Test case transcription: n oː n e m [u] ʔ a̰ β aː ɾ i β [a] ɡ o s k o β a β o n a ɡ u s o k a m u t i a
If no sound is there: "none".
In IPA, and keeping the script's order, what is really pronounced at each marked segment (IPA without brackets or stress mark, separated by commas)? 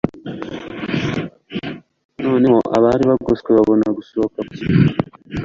o, a